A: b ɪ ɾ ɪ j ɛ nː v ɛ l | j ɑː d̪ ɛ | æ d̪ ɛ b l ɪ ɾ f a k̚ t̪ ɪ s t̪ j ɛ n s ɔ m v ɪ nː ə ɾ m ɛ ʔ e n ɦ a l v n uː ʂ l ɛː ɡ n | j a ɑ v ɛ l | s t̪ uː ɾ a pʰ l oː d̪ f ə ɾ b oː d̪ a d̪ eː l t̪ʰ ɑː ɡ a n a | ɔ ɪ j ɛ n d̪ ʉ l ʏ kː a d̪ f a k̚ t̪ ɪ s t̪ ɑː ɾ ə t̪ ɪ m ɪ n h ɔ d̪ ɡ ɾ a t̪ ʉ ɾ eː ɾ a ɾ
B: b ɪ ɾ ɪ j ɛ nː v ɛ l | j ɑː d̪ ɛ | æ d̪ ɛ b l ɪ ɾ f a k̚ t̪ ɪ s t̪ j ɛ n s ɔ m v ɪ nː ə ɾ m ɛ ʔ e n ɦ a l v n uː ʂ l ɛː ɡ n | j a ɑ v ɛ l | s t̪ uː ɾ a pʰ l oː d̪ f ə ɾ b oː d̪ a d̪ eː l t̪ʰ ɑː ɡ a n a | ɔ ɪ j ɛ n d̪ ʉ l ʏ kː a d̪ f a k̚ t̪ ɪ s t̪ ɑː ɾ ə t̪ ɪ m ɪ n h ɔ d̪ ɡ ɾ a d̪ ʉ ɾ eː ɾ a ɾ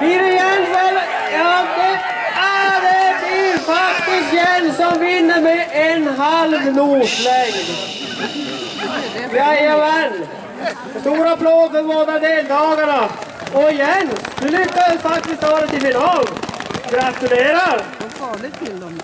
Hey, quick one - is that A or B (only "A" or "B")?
A